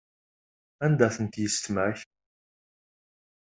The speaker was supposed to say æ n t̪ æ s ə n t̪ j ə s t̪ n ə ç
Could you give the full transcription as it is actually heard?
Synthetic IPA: æ n d̪ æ θ ə n t̪ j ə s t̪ m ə ç